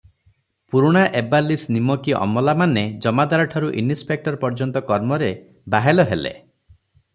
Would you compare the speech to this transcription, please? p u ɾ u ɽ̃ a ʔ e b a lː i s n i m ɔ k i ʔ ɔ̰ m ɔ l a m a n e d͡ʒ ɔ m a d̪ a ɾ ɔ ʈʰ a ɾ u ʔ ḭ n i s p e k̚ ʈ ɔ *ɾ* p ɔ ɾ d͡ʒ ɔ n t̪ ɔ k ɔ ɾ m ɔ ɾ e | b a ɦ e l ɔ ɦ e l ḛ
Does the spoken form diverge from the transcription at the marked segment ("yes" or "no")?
no